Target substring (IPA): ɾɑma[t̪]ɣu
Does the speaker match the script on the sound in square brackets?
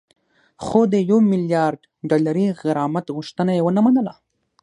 yes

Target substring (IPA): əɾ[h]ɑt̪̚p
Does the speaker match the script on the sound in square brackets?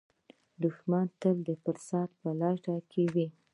no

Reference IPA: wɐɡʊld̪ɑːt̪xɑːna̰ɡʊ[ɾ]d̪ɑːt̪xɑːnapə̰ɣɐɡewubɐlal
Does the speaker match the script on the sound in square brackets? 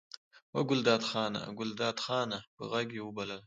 no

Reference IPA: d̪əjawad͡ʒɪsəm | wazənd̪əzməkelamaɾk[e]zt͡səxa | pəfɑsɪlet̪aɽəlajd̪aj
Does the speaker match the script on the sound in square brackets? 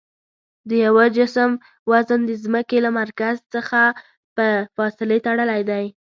no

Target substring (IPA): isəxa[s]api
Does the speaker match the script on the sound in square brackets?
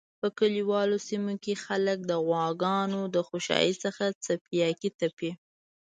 no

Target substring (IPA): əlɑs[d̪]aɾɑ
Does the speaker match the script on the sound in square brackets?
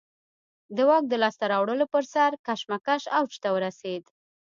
no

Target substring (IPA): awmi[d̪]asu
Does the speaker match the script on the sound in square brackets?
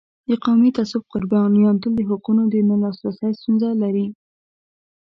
no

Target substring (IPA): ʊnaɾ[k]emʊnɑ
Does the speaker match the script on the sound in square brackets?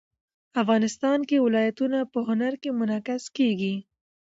yes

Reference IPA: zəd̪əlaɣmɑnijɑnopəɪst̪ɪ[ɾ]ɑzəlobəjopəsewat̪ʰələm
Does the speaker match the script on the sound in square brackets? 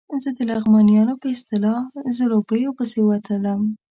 no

